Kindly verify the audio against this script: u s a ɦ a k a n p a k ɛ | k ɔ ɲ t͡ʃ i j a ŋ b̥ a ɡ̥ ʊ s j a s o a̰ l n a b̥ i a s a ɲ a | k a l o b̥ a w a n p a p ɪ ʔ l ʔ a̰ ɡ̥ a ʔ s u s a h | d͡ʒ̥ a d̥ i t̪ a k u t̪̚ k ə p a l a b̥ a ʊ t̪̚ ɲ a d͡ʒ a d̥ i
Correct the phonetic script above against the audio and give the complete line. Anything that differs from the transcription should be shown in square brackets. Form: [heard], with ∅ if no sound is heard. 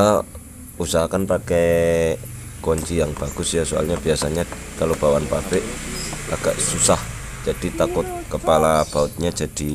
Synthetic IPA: u s a ɦ a k a n p a k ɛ | k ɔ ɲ t͡ʃ i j a ŋ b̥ a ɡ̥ ʊ s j a s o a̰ l [ɲ] a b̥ i a s a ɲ a | k a l o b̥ a w a n p a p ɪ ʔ l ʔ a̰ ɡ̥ a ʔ s u s a h | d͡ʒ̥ a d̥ i t̪ a k [ʊ] t̪̚ k ə p a l a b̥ a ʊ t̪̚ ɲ a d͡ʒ a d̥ i